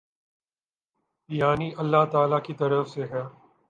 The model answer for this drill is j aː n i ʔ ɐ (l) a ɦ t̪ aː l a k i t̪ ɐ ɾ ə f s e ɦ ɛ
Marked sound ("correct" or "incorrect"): incorrect